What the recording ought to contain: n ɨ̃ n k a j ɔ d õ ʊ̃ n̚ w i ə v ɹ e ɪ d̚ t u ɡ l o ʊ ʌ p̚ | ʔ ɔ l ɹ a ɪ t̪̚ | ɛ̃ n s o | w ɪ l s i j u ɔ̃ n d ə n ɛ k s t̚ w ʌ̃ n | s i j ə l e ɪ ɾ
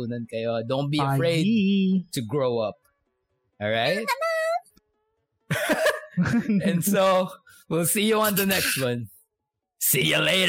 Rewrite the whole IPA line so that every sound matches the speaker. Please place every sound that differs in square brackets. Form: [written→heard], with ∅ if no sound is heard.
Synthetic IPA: n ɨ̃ n k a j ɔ d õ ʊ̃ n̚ [w→b] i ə [v→f] ɹ e ɪ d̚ t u ɡ [l→ɹ] o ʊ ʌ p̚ | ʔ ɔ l ɹ a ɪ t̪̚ | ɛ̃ n s o | w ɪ l s i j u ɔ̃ n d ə n ɛ k s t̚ w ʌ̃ n | s i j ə l e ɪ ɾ